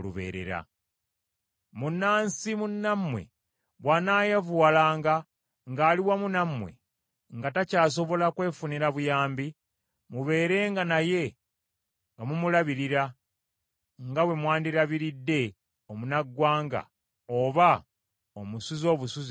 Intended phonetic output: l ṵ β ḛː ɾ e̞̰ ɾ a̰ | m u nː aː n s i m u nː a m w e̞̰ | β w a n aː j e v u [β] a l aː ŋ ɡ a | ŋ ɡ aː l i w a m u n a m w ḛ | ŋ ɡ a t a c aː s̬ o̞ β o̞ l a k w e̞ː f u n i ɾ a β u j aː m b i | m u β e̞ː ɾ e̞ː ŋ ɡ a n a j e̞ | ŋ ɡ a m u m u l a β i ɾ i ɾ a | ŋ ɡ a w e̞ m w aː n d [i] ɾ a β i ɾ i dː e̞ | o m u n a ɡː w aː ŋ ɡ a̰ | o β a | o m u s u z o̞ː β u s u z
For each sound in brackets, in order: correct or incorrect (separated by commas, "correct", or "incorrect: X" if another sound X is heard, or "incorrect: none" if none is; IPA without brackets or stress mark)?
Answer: incorrect: w, correct